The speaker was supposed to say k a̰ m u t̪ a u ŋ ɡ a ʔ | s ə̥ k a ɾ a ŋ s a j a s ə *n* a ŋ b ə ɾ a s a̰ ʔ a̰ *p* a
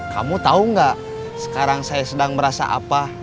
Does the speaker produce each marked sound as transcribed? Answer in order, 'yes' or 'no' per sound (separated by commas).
no, yes